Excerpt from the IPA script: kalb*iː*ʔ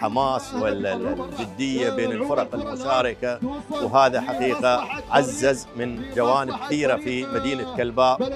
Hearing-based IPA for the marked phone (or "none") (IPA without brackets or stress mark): aː